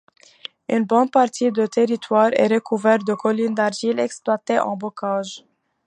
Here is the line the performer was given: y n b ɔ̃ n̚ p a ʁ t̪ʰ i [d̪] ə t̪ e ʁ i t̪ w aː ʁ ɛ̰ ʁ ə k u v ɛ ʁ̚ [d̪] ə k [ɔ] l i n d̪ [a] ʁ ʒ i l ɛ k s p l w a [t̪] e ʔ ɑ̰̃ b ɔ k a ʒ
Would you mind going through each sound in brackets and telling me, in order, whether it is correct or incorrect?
correct, correct, correct, correct, correct

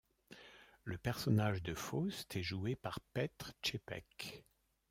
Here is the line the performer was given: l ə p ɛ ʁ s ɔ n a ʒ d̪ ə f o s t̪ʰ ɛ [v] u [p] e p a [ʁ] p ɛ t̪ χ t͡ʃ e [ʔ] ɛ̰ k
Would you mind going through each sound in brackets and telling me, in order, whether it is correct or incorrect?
incorrect: ʒ, incorrect: none, correct, incorrect: p

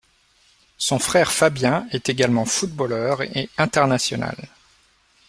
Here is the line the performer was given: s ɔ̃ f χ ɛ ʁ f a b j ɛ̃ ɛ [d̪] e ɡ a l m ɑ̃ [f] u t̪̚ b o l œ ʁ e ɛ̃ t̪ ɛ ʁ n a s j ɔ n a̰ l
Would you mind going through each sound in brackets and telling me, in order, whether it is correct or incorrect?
incorrect: t̪, correct

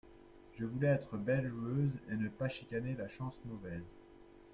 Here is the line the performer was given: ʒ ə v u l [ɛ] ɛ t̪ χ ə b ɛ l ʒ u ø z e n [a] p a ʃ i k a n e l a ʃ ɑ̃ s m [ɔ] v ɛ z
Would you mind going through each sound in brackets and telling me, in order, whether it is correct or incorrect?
correct, incorrect: ə, correct

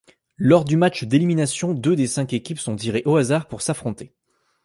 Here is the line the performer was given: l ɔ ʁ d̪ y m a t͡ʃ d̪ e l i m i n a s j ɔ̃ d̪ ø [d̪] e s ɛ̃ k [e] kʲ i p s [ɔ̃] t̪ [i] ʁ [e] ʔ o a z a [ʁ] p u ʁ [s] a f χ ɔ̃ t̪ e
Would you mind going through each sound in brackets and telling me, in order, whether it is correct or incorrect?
correct, correct, correct, correct, correct, correct, correct

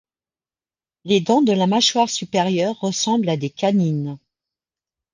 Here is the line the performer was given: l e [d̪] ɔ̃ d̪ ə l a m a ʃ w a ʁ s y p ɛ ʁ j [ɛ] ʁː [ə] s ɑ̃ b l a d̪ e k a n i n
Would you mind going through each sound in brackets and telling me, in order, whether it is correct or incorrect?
correct, incorrect: œ, correct

